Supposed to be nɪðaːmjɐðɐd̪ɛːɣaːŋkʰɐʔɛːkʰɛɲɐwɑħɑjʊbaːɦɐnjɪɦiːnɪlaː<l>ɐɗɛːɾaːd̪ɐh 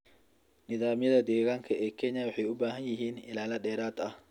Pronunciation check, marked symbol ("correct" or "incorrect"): correct